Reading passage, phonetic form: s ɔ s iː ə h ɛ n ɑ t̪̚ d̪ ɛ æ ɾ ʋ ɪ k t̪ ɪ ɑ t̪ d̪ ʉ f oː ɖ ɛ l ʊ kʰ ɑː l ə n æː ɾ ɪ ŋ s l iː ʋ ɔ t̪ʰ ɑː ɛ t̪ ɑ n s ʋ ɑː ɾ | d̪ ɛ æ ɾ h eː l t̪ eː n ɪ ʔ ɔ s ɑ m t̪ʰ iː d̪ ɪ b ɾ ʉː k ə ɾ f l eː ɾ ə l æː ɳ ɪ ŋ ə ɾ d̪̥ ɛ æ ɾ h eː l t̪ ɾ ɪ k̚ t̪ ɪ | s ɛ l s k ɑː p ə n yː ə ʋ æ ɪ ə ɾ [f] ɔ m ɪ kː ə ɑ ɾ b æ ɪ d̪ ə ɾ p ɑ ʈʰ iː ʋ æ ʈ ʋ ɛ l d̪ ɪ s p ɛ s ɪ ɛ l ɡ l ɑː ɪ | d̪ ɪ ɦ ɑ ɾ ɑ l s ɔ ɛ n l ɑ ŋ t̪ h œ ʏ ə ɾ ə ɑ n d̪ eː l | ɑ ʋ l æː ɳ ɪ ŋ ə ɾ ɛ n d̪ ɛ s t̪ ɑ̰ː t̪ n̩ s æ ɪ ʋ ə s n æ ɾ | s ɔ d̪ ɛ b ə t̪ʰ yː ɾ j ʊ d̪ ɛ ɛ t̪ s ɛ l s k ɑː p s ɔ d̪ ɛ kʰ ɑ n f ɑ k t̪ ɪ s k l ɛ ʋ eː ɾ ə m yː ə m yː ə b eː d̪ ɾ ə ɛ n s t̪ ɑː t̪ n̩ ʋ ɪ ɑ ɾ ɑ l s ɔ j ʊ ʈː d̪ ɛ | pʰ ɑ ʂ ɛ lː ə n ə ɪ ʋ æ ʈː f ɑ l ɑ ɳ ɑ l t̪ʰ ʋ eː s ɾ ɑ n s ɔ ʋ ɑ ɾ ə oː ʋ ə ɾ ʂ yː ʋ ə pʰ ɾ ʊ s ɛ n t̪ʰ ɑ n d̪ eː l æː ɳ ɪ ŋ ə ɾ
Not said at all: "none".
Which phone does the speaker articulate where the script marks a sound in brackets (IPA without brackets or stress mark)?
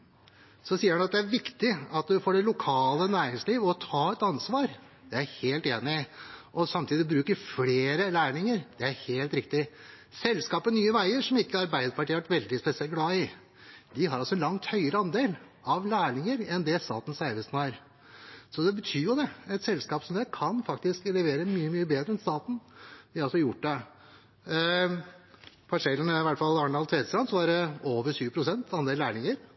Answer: ʂ